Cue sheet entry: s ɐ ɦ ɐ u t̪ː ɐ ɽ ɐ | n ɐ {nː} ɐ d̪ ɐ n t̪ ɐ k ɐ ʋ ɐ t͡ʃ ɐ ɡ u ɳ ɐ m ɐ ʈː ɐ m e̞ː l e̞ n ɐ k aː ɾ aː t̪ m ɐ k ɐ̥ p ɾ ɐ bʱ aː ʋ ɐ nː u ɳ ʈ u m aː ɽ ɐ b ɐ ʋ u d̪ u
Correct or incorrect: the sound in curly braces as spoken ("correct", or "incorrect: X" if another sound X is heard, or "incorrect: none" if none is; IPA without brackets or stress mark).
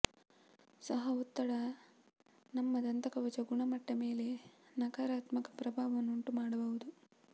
incorrect: mː